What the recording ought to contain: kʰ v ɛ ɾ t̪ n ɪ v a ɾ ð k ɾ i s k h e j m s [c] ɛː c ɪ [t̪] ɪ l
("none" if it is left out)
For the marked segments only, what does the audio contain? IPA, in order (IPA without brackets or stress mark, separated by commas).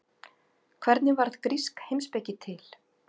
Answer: p, t̪ʰ